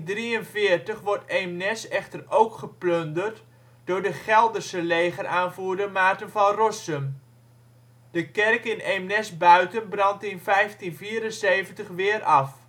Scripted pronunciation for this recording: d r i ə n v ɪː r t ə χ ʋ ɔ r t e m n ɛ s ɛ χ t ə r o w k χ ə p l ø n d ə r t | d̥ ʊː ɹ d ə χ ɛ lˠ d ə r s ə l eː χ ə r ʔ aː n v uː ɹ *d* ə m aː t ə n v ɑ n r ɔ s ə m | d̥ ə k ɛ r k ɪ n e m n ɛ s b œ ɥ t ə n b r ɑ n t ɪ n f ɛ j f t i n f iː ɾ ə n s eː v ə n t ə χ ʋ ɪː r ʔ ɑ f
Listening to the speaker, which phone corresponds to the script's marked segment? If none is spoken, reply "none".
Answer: d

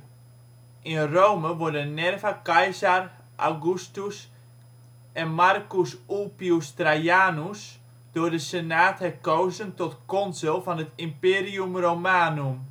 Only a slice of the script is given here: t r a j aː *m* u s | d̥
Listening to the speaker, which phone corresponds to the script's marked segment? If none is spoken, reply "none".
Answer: n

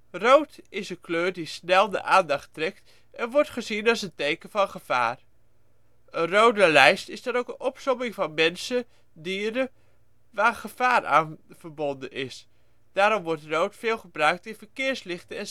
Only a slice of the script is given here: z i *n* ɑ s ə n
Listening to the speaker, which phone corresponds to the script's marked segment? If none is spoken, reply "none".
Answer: n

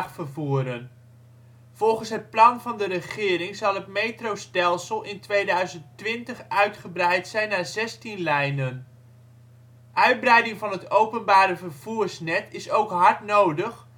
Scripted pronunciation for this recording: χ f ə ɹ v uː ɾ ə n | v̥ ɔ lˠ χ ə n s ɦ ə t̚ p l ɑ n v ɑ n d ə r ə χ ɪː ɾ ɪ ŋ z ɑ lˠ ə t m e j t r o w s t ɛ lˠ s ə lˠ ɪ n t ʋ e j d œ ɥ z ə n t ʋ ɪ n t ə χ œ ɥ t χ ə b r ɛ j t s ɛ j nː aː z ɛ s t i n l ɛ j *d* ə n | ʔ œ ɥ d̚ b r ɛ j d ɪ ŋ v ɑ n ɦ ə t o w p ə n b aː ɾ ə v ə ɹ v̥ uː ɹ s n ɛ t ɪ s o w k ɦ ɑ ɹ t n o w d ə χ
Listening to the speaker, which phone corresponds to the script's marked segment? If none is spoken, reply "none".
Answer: n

